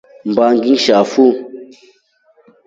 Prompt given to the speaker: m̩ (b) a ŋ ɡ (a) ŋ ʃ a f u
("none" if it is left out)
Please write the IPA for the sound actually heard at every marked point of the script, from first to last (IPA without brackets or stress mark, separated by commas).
b, i